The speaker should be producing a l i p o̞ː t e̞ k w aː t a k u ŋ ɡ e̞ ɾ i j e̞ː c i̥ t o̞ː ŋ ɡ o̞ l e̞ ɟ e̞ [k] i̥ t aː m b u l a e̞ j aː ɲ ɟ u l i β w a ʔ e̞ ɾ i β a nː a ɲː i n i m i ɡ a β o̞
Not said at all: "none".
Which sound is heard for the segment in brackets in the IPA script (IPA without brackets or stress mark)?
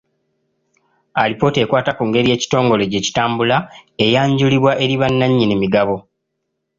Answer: c